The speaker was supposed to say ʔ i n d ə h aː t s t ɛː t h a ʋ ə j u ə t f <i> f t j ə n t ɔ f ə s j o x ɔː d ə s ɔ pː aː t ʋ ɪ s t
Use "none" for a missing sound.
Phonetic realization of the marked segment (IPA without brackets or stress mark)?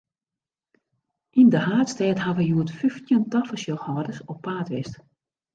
y